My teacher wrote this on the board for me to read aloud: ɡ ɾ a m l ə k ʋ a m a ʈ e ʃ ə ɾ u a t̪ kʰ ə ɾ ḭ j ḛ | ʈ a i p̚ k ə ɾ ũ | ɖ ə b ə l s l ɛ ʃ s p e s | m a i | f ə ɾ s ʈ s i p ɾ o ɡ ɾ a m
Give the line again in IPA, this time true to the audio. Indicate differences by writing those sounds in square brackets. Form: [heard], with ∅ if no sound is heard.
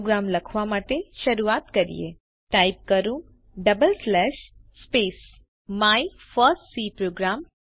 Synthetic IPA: ɡ ɾ a m l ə [kʰ] ʋ a m a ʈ e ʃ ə ɾ u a t̪ [k] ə ɾ ḭ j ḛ | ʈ a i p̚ k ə ɾ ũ | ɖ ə b ə l s l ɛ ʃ s p e s | m a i | f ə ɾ s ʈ s i p ɾ o ɡ ɾ a m

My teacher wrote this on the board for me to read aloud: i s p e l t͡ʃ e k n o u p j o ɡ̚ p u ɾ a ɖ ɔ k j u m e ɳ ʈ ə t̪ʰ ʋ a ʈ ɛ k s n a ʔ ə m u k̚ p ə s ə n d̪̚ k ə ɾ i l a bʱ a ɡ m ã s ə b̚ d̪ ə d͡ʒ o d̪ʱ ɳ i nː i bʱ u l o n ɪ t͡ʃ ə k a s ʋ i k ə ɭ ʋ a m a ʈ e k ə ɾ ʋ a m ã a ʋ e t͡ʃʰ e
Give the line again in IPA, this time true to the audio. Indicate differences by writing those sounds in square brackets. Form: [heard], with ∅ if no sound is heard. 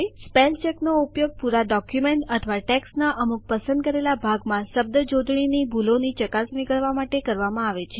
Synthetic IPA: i s p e l t͡ʃ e k n o u p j o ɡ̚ p u ɾ a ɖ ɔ k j u m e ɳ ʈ ə t̪ʰ ʋ a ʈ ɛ k s n a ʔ ə m u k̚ p ə s ə n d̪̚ k ə ɾ [e] l a bʱ a ɡ m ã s ə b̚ d̪ ə d͡ʒ o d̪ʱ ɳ i [n] i bʱ u l o n [i] t͡ʃ ə k a s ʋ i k ə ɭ ʋ a m a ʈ e k ə ɾ ʋ a m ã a ʋ e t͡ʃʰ e

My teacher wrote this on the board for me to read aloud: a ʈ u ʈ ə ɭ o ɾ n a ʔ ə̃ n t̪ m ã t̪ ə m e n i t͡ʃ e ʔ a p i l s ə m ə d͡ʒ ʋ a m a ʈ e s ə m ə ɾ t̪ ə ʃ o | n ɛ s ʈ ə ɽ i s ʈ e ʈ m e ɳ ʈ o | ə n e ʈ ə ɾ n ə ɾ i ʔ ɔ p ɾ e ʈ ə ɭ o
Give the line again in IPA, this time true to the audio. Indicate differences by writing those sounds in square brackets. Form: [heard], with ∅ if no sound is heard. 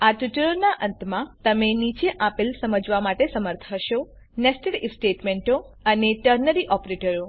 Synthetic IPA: a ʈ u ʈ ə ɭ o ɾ n a ʔ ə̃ n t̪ m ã t̪ ə m e n i t͡ʃ e ʔ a p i l s ə m ə d͡ʒ ʋ a m a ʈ e s ə m ə ɾ [t̪ʰ] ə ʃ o | n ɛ s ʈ ə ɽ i s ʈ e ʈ m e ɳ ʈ o | ə n e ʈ ə ɾ n ə ɾ i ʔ ɔ p ɾ e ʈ ə [ɾ] o

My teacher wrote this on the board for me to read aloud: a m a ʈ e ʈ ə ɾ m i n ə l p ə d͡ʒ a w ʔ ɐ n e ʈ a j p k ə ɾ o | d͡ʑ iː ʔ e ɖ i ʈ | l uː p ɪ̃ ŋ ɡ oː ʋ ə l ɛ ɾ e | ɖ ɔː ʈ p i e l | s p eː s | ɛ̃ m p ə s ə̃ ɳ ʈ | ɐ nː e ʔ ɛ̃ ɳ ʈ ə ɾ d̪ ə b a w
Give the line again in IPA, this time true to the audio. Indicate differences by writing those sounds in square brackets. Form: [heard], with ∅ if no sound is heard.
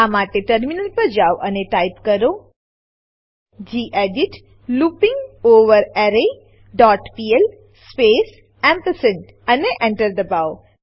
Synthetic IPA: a m a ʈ e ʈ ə ɾ m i n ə l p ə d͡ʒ a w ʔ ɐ n e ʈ a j p k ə ɾ o | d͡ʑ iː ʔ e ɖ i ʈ | l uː p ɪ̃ ŋ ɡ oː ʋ ə [ɾ] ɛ ɾ e | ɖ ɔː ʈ p i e l | s p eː s | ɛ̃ m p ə s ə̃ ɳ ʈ | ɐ [n] e ʔ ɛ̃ ɳ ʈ ə ɾ d̪ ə b a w

